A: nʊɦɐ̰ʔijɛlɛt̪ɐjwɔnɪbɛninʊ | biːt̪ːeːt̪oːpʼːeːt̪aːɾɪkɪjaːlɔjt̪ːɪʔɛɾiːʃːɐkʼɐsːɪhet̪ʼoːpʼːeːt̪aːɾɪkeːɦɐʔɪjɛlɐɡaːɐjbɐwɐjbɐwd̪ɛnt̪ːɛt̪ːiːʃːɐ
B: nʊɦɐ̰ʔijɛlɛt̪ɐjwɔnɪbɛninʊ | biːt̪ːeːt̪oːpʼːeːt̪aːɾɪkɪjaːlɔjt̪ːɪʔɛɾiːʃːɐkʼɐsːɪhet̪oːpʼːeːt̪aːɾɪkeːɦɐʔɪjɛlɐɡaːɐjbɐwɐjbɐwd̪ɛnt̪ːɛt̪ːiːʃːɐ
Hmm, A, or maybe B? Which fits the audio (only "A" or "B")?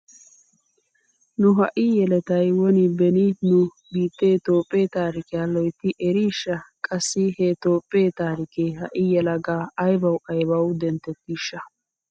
B